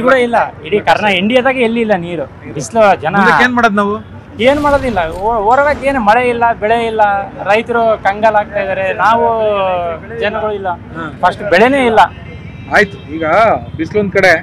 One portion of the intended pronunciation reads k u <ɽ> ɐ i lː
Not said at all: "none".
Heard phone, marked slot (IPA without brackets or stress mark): ɽ